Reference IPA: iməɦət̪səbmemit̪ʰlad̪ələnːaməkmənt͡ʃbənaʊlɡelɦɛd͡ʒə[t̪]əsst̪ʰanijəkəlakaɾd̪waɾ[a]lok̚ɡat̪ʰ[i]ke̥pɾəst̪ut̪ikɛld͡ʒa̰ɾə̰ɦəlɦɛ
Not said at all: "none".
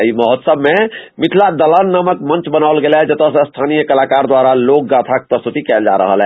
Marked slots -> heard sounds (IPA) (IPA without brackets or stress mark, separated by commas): t̪, a, a